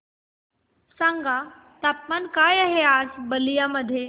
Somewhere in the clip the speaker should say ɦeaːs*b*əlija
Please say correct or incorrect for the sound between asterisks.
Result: correct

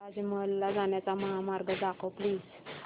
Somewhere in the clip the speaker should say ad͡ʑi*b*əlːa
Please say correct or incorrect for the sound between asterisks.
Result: incorrect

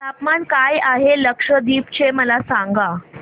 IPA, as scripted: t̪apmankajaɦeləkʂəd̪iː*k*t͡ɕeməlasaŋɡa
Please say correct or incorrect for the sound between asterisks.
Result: incorrect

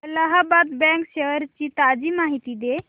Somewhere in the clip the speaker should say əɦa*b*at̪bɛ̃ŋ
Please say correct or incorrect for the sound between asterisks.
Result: correct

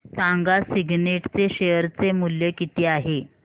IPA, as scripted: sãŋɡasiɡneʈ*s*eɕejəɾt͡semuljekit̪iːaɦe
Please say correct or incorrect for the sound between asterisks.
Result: incorrect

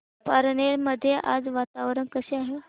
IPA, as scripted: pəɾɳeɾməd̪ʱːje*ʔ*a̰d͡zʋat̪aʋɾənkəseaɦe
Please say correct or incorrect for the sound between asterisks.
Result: correct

